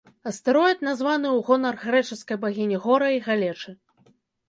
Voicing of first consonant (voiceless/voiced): voiceless